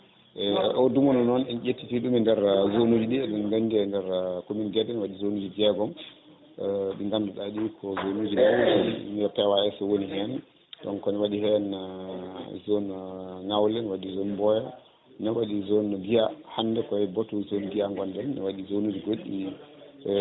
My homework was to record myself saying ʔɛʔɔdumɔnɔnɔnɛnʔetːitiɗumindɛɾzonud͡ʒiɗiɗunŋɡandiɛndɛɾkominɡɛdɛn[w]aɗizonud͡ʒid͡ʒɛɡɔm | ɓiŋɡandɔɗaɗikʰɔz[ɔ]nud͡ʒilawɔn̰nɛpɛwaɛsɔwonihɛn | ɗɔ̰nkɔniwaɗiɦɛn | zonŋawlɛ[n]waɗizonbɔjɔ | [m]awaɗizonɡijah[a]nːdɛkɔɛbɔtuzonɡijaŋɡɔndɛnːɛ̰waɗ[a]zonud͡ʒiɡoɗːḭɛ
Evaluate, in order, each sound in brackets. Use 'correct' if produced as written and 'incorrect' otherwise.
correct, incorrect, correct, incorrect, correct, incorrect

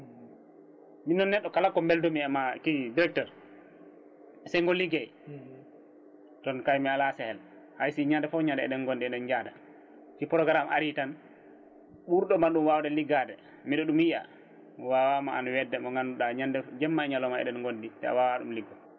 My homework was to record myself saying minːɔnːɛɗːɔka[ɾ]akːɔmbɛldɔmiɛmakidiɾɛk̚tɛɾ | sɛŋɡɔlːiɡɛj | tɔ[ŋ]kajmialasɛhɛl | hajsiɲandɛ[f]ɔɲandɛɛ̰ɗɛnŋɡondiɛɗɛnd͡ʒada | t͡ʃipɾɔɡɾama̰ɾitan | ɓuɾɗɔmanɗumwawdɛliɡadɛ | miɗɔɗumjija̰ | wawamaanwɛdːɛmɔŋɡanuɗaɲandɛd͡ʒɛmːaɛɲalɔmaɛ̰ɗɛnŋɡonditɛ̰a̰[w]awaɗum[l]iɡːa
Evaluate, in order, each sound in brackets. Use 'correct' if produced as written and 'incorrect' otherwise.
incorrect, incorrect, correct, correct, correct

